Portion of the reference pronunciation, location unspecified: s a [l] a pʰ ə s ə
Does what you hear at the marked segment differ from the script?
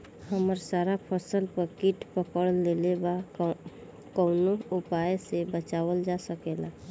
yes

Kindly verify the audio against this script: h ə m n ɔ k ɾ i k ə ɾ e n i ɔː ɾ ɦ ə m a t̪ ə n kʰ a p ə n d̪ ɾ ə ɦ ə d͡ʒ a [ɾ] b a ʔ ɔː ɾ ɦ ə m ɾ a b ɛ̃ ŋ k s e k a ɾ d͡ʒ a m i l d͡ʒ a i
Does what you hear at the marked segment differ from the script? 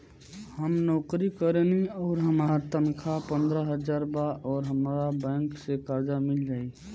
no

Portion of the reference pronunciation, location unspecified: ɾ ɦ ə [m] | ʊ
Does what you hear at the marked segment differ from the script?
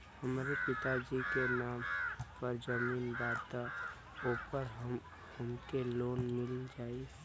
no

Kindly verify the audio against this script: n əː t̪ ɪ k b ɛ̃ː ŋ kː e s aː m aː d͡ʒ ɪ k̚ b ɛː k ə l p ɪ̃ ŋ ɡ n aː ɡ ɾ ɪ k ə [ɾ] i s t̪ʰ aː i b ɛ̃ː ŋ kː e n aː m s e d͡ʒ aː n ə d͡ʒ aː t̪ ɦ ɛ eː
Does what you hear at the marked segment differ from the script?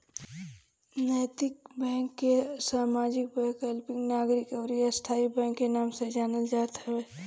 no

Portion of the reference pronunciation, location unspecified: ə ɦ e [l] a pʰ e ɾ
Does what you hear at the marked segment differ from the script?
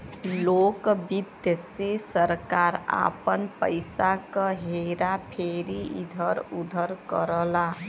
yes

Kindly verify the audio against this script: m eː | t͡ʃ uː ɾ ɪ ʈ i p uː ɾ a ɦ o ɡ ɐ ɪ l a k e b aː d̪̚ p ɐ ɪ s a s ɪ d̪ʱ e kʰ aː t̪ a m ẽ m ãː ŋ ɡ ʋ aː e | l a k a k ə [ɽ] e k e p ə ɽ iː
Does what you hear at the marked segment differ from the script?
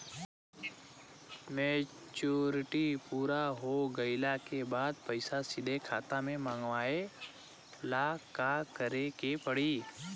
yes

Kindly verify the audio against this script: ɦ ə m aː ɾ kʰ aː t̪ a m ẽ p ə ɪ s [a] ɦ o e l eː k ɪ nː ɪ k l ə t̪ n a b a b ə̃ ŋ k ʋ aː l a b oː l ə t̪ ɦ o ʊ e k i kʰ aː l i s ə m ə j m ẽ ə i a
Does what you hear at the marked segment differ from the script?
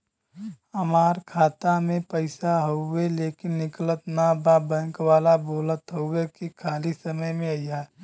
no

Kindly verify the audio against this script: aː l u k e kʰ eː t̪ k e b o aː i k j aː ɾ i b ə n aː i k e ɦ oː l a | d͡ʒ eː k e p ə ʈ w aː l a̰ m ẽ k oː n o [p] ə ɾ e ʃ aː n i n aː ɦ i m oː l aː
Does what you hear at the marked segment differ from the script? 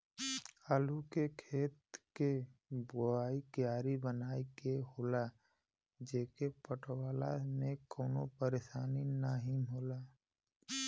no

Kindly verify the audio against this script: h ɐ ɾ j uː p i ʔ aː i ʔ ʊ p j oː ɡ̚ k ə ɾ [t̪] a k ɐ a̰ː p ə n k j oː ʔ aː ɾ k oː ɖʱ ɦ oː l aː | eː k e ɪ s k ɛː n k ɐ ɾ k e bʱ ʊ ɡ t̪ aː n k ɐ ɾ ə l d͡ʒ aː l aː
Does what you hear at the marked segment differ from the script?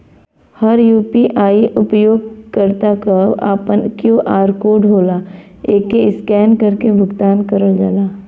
no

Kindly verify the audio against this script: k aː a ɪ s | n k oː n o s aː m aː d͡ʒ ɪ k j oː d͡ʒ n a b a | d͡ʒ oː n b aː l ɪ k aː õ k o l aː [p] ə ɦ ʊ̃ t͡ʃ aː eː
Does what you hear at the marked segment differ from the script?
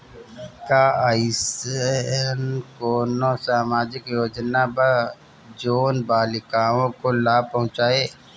no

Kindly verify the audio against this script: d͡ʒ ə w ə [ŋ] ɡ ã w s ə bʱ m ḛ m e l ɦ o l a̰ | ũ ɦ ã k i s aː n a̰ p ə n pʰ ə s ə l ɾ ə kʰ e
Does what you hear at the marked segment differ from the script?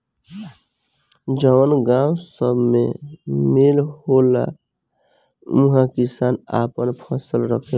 yes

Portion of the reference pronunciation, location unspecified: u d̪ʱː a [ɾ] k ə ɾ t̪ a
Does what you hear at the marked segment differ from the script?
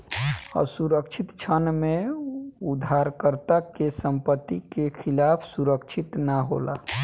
no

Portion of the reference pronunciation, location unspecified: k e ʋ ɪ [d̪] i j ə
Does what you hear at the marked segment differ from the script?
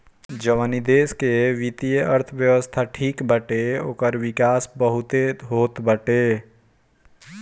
yes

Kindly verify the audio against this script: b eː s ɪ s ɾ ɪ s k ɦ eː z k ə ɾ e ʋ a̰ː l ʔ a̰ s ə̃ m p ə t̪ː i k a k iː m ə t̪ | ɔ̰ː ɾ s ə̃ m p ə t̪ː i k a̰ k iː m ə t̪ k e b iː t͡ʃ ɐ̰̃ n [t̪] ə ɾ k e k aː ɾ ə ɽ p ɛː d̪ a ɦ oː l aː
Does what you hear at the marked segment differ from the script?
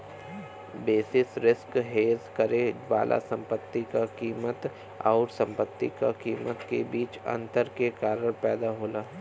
no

